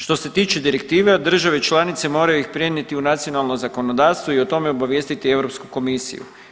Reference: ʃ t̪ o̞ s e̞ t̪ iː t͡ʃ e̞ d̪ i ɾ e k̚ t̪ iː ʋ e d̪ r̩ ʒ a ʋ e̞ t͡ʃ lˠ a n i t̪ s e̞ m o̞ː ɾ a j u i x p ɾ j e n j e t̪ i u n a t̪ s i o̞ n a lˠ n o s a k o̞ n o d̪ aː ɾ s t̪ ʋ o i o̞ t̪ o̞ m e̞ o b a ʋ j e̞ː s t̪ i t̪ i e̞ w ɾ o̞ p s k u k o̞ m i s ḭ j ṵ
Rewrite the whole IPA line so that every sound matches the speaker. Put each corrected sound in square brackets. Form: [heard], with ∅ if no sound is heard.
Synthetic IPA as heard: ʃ t̪ o̞ s e̞ t̪ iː t͡ʃ e̞ d̪ i ɾ e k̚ t̪ iː ʋ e d̪ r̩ ʒ a ʋ e̞ t͡ʃ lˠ a n i t̪ s e̞ m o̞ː ɾ a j u i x p ɾ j e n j e t̪ i u n a t̪ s i o̞ n a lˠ n o [z] a k o̞ n o d̪ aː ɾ s t̪ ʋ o i o̞ t̪ o̞ m e̞ o b a ʋ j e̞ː s t̪ i t̪ i e̞ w ɾ o̞ p s k u k o̞ m i s ḭ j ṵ